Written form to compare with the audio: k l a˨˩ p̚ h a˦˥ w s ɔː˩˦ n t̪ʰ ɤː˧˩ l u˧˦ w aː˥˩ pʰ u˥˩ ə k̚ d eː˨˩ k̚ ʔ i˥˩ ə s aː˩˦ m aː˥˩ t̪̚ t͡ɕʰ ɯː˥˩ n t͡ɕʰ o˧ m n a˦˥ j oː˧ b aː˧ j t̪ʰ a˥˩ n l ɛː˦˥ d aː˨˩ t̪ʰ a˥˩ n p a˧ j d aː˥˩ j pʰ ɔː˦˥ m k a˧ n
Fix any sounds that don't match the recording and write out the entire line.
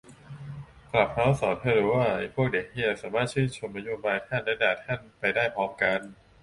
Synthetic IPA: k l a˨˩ p̚ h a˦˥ w s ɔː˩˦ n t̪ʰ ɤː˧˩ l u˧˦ w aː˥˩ pʰ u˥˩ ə k̚ d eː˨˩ k̚ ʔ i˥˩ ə s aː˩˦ m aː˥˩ t̪̚ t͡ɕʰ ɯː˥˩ n t͡ɕʰ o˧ m n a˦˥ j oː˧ b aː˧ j t̪ʰ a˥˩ n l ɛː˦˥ d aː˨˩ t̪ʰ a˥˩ n p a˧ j d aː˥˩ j pʰ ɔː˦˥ m k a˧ n